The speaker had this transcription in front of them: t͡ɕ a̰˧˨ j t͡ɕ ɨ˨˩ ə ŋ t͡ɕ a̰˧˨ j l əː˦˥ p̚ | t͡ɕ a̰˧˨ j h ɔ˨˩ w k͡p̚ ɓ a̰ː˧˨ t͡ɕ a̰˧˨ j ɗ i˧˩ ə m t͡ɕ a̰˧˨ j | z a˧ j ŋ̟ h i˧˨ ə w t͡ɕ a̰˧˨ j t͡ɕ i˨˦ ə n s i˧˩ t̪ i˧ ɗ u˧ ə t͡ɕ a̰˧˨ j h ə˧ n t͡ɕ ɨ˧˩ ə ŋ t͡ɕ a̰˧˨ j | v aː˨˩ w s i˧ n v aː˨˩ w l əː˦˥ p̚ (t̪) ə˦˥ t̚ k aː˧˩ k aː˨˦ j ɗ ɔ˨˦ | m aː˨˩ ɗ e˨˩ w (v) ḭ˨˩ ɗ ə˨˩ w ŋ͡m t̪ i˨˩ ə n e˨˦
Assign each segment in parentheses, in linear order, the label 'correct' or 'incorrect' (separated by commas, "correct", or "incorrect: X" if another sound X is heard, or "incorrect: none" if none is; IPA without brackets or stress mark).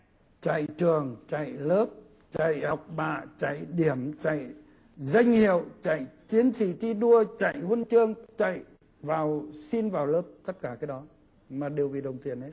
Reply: correct, correct